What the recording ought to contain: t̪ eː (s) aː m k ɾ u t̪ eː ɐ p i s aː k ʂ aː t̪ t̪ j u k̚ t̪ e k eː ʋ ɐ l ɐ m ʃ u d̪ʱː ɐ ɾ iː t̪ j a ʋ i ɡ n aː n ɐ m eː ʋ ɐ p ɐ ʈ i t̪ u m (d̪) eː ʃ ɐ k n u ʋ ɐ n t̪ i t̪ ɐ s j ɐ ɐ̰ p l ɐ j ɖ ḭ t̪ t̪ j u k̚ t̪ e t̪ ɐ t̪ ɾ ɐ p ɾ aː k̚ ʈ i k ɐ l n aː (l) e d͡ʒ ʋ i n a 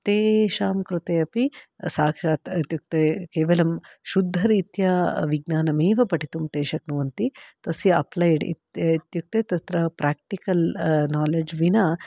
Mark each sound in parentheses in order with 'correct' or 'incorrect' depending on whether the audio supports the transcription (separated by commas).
incorrect, incorrect, correct